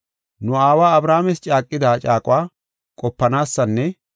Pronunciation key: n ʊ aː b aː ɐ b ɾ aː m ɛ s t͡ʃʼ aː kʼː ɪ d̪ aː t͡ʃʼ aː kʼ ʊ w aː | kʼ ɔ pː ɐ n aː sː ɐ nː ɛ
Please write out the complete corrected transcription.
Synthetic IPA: n ʊ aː w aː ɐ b ɾ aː m ɛ s t͡ʃʼ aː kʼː ɪ d̪ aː t͡ʃʼ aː kʼ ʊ w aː | kʼ ɔ pː ɐ n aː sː ɐ nː ɛ